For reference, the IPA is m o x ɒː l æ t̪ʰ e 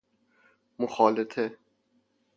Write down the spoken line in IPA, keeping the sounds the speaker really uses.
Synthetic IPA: m o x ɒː l e t̪ʰ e